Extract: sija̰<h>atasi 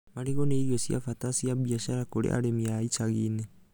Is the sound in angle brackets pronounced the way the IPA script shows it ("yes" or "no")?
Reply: no